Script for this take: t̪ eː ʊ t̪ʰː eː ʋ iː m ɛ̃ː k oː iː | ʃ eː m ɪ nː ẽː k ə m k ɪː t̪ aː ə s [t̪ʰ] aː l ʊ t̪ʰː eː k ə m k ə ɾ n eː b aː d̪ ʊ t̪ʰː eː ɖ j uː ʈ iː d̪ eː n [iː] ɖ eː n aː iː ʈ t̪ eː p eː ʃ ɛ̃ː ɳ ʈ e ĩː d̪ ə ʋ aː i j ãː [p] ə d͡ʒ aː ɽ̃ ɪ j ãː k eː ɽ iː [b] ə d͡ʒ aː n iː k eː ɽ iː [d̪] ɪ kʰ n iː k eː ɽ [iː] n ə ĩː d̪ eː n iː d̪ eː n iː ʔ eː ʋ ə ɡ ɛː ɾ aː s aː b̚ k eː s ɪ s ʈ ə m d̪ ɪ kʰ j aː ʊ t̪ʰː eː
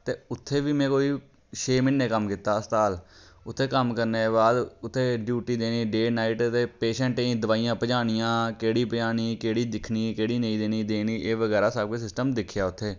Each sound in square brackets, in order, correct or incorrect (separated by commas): incorrect, correct, correct, incorrect, correct, correct